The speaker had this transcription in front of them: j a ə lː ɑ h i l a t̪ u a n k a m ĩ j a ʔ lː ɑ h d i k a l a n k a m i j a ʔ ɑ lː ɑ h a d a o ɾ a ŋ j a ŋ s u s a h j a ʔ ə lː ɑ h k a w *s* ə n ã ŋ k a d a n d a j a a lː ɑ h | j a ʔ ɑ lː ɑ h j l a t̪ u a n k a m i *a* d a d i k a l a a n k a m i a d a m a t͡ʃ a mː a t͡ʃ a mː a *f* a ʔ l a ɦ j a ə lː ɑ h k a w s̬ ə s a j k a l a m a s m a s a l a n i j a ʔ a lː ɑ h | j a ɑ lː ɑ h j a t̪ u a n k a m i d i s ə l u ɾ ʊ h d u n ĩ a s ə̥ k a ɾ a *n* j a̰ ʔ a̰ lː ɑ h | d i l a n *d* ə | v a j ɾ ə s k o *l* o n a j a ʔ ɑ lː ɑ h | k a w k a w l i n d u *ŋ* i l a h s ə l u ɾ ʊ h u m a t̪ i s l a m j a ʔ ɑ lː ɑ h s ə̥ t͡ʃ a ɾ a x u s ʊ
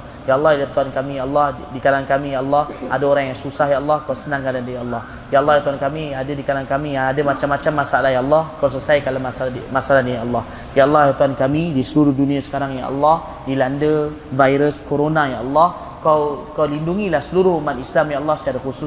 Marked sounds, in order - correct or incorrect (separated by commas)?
correct, correct, incorrect, incorrect, correct, incorrect, correct